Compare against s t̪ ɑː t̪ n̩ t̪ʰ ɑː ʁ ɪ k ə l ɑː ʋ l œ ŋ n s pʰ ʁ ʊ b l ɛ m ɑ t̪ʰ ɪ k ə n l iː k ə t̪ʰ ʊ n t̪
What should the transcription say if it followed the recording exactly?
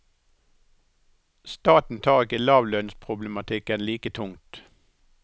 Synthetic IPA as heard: s t̪ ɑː t̪ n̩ t̪ʰ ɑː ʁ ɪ k ə l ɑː ʋ l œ n s pʰ ʁ ʊ b l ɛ m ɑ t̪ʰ ɪ k ə n l iː k ə t̪ʰ ʊ ŋ t̪